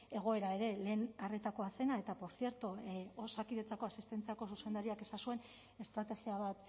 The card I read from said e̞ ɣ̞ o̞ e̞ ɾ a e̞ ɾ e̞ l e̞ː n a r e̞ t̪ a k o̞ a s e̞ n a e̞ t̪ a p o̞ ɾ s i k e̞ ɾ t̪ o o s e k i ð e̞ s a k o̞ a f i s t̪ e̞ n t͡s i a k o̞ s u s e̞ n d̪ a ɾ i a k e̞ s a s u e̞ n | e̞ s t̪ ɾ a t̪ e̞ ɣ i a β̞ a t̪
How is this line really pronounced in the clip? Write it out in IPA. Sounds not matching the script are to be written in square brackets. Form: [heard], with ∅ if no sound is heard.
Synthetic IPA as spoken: e̞ ɣ̞ o̞ e̞ ɾ a e̞ ɾ e̞ l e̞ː n a r e̞ t̪ a k o̞ a s e̞ n a e̞ t̪ a p o̞ ɾ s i [∅] e̞ ɾ t̪ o o s [a] k i ð e̞ [t͡s] a k o̞ a [s] i s t̪ e̞ n t͡s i a k o̞ s u s e̞ n d̪ a ɾ i a k e̞ s a s u e̞ n | e̞ s t̪ ɾ a t̪ e̞ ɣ i a β̞ a t̪

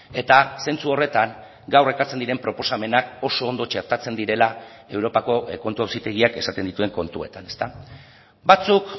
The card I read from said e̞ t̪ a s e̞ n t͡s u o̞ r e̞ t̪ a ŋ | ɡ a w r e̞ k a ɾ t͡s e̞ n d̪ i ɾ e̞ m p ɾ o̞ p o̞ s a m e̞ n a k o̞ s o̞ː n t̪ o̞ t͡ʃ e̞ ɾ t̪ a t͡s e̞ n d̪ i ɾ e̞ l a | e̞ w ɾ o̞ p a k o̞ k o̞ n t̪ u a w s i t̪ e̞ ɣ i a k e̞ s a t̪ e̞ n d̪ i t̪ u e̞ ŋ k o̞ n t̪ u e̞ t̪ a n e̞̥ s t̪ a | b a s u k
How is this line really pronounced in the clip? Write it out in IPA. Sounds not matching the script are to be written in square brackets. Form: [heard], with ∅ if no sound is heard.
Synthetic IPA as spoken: e̞ t̪ a s e̞ n t͡s u o̞ r e̞ t̪ a ŋ | ɡ a w r e̞ k a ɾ t͡s e̞ n d̪ i ɾ e̞ m p ɾ o̞ p o̞ s a m e̞ n a k o̞ s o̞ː n [d̪] o̞ t͡ʃ e̞ ɾ t̪ a t͡s e̞ n d̪ i ɾ e̞ l a | e̞ w ɾ o̞ p a k o̞ k o̞ n t̪ u a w s i t̪ e̞ ɣ i a k e̞ s a t̪ e̞ n d̪ i t̪ u e̞ ŋ k o̞ n t̪ u e̞ t̪ a n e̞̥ s t̪ a | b a [t͡s] u k

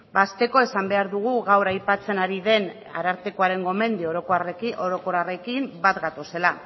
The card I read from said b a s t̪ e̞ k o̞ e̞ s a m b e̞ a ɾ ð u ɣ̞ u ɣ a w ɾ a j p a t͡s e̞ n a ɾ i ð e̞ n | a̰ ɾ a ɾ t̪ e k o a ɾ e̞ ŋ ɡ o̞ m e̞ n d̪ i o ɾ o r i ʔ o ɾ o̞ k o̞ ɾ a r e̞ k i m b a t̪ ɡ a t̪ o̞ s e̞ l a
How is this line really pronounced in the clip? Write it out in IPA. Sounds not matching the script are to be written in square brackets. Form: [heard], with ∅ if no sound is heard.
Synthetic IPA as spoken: b a s t̪ e̞ k o̞ e̞ s a m b e̞ a ɾ ð u ɣ̞ u ɣ a w ɾ a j p a t͡s e̞ n a ɾ i ð e̞ n | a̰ ɾ a ɾ t̪ e k o a ɾ e̞ ŋ ɡ o̞ m e̞ n d̪ i o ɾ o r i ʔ o ɾ o̞ k o̞ ɾ a r e̞ k i m b a t̪ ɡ a t̪ o̞ s e̞ l a

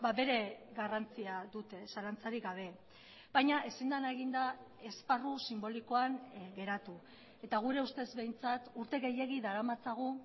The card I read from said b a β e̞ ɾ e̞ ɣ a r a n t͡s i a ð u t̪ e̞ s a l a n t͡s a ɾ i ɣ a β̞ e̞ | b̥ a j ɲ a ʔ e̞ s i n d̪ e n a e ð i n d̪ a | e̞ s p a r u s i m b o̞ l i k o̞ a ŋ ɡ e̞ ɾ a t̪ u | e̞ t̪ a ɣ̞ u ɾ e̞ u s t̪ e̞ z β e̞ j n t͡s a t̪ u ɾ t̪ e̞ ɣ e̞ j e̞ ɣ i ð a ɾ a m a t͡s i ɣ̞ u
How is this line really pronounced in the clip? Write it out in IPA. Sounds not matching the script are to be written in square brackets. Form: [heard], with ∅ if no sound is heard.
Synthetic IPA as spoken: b a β e̞ ɾ e̞ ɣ a r a n t͡s i a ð u t̪ e̞ s a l a n t͡s a ɾ i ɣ a β̞ e̞ | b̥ a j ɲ a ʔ e̞ s i n d̪ [a] n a e [ɣ] i n d̪ a | e̞ s p a r u s i m b o̞ l i k o̞ a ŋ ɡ e̞ ɾ a t̪ u | e̞ t̪ a ɣ̞ u ɾ e̞ u s t̪ e̞ z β e̞ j n t͡s a t̪ u ɾ t̪ e̞ ɣ e̞ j e̞ ɣ i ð a ɾ a m a t͡s [a] ɣ̞ u

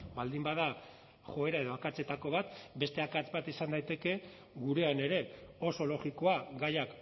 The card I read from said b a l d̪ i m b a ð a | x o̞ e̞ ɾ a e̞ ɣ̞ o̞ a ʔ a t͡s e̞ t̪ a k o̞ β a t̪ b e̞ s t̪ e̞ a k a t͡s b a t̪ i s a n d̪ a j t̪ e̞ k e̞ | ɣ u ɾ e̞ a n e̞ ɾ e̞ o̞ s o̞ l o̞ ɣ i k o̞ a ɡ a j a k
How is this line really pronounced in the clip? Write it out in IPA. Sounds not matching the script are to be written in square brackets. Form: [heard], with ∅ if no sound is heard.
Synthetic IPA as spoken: b a l d̪ i m b a ð a | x o̞ e̞ ɾ a e̞ [ð̞] o̞ a [k] a t͡s e̞ t̪ a k o̞ β a t̪ b e̞ s t̪ e̞ a k a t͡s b a t̪ i s a n d̪ a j t̪ e̞ k e̞ | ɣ u ɾ e̞ a n e̞ ɾ e̞ o̞ s o̞ l o̞ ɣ i k o̞ a ɡ a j a k

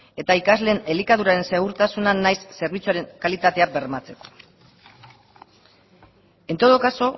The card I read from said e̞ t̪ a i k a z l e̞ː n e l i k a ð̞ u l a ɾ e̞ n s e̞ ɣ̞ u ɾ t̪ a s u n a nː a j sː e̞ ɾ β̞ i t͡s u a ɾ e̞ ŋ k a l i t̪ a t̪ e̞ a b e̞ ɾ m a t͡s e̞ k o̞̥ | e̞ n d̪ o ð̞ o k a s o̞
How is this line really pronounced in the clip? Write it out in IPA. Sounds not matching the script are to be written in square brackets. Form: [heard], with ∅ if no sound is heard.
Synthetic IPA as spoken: e̞ t̪ a i k a z l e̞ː n e l i k a ð̞ u [ɾ] a ɾ e̞ n s e̞ ɣ̞ u ɾ t̪ a s u n a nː a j sː e̞ ɾ β̞ i t͡s u a ɾ e̞ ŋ k a l i t̪ a t̪ e̞ a b e̞ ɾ m a t͡s e̞ k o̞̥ | e̞ n [t̪] o ð̞ o k a s o̞

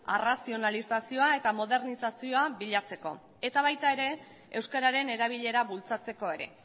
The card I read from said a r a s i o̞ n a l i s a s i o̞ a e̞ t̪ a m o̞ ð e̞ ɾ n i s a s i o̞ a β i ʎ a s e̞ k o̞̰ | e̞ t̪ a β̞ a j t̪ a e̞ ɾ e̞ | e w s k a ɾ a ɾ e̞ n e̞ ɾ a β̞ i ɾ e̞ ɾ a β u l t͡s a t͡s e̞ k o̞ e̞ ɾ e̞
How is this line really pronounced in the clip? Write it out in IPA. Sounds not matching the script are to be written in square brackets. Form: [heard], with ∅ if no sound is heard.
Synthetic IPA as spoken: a r a s i o̞ n a l i s a s i o̞ a e̞ t̪ a m o̞ ð e̞ ɾ n i s a s i o̞ a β i ʎ a [t͡s] e̞ k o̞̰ | e̞ t̪ a β̞ a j t̪ a e̞ ɾ e̞ | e w s k a ɾ a ɾ e̞ n e̞ ɾ a β̞ i [ʎ] e̞ ɾ a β u l t͡s a t͡s e̞ k o̞ e̞ ɾ e̞

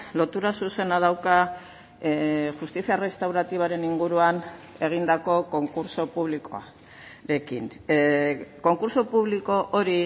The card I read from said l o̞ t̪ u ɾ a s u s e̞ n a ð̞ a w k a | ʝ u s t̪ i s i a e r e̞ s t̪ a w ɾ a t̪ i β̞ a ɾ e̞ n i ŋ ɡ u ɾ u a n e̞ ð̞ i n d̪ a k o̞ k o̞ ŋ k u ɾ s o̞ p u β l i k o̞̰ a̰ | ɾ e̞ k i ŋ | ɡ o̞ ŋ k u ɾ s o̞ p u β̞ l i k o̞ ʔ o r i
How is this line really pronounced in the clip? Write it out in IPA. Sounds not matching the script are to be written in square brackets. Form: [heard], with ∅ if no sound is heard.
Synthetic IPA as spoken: l o̞ t̪ u ɾ a s u s e̞ n a ð̞ a w k a | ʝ u s t̪ i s i a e r e̞ s t̪ a w ɾ a t̪ i β̞ a ɾ e̞ n i ŋ ɡ u ɾ u a n e̞ [ɣ̞] i n d̪ a k o̞ k o̞ ŋ k u ɾ s o̞ p u β l i k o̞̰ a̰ | ɾ e̞ k i [n] | [k] o̞ ŋ k u ɾ s o̞ p u β̞ l i k o̞ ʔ o [ɾ] i

